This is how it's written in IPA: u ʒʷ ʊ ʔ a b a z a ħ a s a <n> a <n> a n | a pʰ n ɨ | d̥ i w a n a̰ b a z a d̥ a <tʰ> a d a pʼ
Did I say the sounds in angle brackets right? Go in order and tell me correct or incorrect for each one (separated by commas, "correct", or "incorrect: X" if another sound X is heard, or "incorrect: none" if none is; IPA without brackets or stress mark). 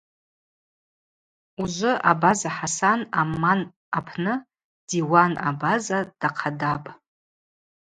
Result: correct, incorrect: m, incorrect: qʰ